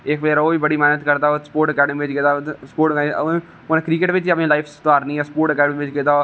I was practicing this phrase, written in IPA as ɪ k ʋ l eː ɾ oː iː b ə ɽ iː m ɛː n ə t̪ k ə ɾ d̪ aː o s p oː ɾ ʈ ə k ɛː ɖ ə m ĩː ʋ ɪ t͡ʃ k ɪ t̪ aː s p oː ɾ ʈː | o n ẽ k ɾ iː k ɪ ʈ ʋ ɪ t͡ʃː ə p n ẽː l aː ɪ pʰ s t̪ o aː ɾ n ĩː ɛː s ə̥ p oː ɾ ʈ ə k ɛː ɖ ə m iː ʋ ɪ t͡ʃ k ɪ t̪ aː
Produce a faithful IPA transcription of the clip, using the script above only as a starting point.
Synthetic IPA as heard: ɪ k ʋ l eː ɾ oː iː b ə ɽ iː m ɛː n ə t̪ k ə ɾ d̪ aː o s p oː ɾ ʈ ə k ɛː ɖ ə m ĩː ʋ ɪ t͡ʃ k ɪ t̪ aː s p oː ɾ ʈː | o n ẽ k ɾ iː k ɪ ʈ ʋ ɪ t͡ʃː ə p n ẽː l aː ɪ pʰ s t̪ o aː ɾ n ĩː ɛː s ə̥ p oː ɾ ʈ ə k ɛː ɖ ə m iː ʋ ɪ t͡ʃ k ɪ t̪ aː